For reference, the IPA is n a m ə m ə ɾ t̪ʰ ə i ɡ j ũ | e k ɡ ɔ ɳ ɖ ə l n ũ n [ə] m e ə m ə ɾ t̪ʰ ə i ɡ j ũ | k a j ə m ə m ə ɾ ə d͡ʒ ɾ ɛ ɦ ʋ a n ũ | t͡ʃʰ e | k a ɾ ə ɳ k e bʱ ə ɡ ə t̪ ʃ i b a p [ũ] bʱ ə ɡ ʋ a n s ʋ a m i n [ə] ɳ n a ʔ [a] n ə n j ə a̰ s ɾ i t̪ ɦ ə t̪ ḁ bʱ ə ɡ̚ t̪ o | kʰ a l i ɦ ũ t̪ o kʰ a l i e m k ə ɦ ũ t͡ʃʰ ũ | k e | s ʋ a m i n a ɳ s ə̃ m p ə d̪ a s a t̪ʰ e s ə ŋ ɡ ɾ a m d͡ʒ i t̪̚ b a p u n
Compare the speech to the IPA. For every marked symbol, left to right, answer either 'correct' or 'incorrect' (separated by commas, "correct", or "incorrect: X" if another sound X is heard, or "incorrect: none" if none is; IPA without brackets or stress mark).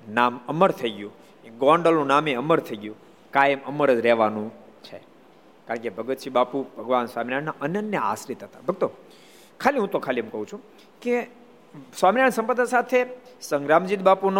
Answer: incorrect: a, incorrect: u, incorrect: a, incorrect: ə